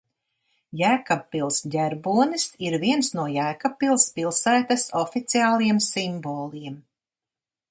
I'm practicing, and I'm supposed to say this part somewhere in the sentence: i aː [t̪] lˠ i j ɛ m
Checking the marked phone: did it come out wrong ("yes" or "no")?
yes